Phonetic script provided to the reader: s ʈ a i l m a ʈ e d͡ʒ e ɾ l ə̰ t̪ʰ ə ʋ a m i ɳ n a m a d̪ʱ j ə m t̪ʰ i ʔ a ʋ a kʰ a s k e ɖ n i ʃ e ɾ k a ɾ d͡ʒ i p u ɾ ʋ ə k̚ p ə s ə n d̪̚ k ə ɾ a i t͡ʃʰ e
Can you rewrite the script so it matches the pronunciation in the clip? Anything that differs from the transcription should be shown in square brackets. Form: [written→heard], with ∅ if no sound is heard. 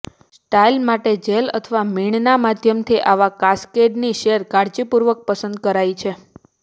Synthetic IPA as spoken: s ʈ a i l m a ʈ e d͡ʒ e [ɾ→∅] l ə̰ t̪ʰ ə ʋ a m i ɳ n a m a d̪ʱ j ə m t̪ʰ i ʔ a ʋ a [kʰ→k] a s k e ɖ n i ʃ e ɾ k a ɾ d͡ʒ i p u ɾ ʋ ə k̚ p ə s ə n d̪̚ k ə ɾ a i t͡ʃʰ e